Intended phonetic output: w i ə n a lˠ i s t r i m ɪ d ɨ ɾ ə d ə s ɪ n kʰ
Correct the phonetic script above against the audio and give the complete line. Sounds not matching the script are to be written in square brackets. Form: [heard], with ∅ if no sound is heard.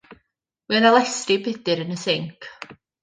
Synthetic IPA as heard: w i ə n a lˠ [ɛ] s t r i [b] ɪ d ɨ ɾ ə [n] ə s ɪ [ŋ] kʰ